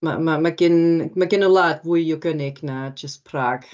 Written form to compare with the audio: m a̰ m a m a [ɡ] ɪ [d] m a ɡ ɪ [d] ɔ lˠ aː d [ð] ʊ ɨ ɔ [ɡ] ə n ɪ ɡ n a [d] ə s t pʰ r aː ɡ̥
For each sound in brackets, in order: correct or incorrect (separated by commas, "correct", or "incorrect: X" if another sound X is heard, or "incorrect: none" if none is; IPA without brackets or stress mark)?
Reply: correct, incorrect: n, incorrect: n, incorrect: v, correct, incorrect: d͡ʒ